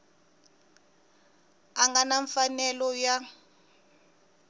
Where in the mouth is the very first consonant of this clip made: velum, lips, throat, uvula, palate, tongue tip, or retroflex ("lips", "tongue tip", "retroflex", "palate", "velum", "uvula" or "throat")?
velum